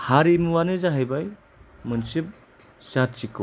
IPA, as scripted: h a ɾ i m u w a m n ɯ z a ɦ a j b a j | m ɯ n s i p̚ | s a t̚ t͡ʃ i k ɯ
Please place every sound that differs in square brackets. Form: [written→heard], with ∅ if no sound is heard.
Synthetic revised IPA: h a ɾ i m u w a [m→∅] n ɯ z a ɦ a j b a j | m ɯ n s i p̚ | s a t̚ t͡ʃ i k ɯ